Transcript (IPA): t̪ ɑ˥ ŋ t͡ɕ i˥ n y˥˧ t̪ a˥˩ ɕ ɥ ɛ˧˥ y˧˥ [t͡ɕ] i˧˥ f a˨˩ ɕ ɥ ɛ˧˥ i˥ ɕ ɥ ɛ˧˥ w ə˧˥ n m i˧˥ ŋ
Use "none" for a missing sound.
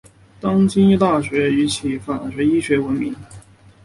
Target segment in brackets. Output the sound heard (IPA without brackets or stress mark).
t͡ɕʰ